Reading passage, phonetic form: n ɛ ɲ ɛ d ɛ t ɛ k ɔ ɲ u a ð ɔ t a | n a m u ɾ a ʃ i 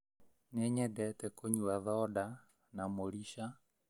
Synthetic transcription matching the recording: n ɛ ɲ ɛ d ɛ t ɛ k o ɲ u a ð ɔ d a | n a m o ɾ i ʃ a